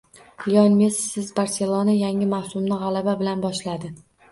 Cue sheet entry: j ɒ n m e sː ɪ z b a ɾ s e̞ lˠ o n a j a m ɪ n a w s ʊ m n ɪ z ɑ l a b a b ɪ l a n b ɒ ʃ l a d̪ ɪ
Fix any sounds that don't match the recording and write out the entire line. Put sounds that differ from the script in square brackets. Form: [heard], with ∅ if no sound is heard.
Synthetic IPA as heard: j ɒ n m e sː ɪ z b a ɾ s e̞ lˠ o n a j a [ŋ] ɪ [m] a w s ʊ m n ɪ [ʁ] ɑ l a b a b ɪ l a n b ɒ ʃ l a d̪ ɪ